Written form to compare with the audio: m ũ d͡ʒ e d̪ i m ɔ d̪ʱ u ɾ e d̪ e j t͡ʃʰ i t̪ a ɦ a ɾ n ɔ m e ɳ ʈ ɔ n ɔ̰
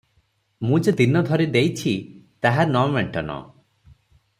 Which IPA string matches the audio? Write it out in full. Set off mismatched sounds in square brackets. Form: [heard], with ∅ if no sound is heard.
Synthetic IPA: m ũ d͡ʒ e d̪ i [n] ɔ d̪ʱ [ɔ] ɾ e d̪ e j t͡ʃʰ i t̪ a ɦ a ɾ n ɔ m e ɳ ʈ ɔ n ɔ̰